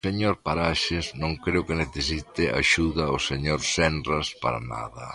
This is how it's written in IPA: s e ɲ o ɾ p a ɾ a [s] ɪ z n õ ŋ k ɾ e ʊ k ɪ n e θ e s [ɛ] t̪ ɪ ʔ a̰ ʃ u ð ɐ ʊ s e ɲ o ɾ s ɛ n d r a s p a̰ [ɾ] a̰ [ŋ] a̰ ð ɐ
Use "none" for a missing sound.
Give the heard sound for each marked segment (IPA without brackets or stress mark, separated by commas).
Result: ʃ, i, ɾ, n